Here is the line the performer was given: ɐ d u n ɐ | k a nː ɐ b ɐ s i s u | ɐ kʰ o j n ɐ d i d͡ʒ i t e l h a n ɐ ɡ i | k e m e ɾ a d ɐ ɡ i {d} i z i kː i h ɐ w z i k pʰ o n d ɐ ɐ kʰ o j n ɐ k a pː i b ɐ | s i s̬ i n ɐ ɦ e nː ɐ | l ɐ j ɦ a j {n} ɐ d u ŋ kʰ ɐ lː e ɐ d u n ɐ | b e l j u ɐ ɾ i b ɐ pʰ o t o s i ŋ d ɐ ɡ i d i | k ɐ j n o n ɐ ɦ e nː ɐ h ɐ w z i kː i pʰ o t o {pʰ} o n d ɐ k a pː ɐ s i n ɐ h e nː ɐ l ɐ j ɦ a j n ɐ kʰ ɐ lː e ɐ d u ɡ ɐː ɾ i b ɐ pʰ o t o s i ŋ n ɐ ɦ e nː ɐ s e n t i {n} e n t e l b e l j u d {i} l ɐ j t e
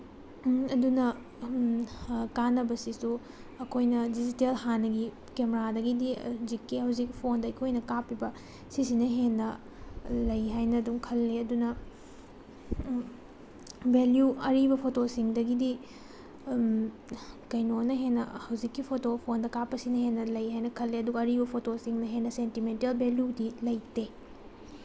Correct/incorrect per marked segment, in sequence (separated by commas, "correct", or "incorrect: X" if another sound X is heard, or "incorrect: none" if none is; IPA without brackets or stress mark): correct, correct, correct, incorrect: m, correct